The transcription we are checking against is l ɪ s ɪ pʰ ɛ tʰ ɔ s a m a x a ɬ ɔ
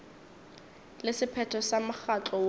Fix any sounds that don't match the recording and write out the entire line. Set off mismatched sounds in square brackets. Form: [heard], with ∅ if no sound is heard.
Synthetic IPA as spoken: l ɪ s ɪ pʰ ɛ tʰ ɔ s a m a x a [t͡ɬ] ɔ